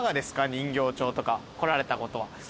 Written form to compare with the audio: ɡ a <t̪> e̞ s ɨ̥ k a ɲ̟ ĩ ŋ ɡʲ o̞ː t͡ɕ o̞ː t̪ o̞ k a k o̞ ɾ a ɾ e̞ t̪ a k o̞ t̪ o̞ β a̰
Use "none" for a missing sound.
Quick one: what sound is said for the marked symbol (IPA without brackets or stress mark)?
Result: d̪